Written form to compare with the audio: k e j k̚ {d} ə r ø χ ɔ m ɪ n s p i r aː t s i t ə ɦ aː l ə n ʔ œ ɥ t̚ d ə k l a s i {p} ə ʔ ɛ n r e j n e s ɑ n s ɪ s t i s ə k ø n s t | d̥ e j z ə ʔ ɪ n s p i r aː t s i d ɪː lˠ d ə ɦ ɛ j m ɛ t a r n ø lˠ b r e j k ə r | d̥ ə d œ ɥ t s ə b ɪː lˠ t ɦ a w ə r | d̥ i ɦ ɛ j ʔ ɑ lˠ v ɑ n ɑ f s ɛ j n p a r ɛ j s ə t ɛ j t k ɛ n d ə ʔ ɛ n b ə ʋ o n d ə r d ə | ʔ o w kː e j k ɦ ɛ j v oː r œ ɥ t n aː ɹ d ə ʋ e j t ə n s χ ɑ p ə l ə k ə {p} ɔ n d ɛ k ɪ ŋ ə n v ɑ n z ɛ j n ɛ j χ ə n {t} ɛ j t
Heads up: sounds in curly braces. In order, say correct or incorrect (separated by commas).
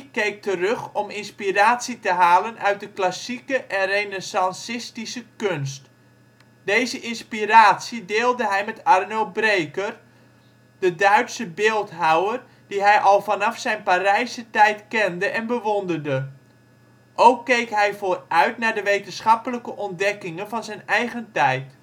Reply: incorrect, incorrect, incorrect, correct